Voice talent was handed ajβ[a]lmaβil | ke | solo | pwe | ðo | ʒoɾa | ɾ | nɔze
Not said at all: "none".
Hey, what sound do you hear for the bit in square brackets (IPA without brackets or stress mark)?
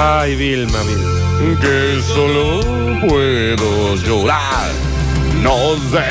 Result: i